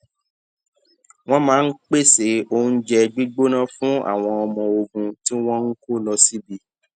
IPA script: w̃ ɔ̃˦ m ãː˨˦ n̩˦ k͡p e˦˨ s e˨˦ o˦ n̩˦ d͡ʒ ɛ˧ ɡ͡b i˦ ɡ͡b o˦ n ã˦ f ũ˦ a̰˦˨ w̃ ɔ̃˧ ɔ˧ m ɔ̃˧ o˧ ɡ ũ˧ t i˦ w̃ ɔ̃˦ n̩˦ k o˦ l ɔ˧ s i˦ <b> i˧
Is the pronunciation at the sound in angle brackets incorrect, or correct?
correct